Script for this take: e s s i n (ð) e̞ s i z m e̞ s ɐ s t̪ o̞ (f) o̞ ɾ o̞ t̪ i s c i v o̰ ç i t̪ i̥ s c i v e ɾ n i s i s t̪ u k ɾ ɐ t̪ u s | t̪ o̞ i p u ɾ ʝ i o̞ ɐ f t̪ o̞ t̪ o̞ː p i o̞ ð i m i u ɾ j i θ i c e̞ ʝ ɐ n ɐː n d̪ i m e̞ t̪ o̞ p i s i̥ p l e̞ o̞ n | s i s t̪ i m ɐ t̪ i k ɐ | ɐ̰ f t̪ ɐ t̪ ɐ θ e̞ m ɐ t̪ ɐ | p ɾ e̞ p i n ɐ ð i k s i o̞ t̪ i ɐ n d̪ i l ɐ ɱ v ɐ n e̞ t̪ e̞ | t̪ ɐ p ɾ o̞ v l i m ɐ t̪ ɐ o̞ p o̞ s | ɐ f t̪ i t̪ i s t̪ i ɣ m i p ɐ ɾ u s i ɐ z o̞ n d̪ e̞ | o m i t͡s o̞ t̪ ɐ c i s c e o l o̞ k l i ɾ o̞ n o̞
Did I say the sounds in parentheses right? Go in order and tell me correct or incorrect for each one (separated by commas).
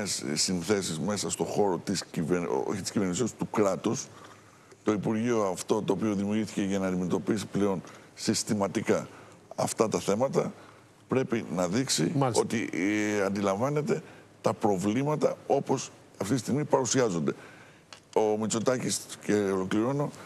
incorrect, incorrect